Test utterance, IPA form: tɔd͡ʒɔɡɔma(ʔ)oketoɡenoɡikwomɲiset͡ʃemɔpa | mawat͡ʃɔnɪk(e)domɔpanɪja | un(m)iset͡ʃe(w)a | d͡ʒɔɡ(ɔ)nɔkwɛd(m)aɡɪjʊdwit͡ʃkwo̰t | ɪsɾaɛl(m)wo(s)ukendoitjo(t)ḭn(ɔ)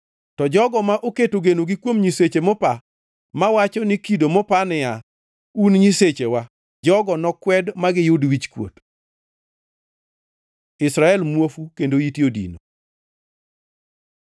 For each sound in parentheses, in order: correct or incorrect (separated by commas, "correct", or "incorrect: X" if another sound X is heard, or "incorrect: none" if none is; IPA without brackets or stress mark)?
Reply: correct, incorrect: i, incorrect: ɲ, correct, correct, correct, correct, incorrect: f, incorrect: d, incorrect: o